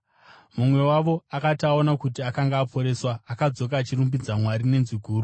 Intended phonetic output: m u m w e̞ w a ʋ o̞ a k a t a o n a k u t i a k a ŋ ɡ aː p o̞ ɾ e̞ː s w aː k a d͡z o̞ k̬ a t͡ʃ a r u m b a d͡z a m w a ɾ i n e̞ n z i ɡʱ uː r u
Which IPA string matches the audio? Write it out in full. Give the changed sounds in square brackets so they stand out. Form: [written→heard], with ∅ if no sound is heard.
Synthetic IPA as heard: m u m w e̞ w a ʋ o̞ a k a t a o n a k u t i a k a ŋ ɡ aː p o̞ ɾ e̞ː s w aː k a d͡z o̞ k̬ a t͡ʃ [a→i] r u m b [a→i] d͡z a m w a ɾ i n e̞ n z i ɡʱ uː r u